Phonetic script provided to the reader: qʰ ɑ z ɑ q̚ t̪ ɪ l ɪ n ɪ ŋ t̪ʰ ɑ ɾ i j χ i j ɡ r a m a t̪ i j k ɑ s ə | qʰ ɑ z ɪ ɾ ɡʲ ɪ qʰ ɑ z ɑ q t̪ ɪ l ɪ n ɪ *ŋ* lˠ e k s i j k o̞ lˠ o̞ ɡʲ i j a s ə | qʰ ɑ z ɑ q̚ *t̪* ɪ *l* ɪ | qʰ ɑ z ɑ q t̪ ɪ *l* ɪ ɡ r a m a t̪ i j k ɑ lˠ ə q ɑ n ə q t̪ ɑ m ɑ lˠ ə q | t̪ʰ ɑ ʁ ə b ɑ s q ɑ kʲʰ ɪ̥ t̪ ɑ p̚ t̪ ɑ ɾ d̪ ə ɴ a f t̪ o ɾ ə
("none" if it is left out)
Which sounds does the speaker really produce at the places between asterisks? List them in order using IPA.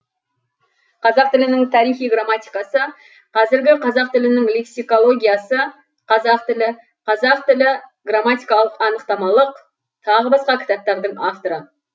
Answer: ŋ, t̪, l, l

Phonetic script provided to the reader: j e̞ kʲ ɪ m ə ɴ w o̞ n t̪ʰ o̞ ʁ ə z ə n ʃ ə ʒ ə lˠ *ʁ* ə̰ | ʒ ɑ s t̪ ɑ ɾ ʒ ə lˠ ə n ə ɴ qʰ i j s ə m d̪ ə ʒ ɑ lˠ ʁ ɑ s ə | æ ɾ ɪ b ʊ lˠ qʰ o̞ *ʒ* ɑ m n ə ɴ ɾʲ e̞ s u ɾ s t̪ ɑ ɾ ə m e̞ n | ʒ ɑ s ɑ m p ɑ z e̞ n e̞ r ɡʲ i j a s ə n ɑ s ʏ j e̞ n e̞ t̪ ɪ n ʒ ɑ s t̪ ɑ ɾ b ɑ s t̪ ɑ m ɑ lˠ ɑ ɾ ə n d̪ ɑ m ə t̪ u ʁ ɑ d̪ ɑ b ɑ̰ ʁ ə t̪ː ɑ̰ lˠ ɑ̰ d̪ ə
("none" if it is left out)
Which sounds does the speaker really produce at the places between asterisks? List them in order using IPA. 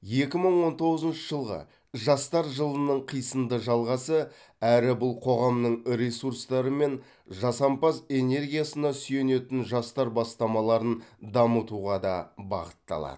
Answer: ʁ, ʁ

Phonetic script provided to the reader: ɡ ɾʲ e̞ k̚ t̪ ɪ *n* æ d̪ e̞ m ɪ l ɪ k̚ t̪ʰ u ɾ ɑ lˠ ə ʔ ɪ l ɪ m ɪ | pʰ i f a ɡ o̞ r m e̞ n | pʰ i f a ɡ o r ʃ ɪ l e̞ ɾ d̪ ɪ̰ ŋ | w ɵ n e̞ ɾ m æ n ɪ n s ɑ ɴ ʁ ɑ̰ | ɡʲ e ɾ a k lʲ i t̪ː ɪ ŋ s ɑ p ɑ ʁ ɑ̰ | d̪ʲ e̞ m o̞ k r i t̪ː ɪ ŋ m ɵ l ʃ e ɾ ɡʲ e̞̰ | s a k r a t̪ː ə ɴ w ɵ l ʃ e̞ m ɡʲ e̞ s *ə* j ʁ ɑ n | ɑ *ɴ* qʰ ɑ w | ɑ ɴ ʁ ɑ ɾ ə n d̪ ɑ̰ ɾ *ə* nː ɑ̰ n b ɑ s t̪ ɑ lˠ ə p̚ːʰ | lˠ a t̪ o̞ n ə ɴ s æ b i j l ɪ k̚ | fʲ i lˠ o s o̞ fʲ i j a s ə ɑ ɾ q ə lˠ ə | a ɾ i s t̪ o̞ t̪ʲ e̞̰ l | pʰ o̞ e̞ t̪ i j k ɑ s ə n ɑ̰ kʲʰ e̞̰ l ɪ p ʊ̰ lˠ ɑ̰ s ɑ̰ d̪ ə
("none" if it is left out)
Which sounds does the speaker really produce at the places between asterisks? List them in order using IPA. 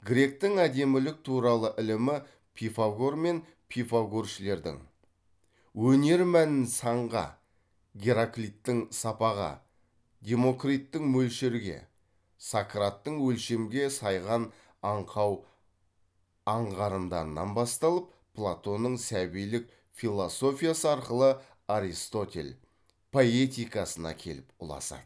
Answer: ŋ, ɑ, ɴ, ə

